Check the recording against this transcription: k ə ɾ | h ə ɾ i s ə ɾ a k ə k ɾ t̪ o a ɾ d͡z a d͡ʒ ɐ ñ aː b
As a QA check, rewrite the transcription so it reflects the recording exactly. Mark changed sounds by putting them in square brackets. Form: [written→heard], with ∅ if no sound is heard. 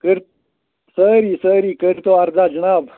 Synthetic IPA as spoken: k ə ɾ | [h→s] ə ɾ i s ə ɾ [a→i] k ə [k→∅] ɾ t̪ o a ɾ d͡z a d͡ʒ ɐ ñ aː b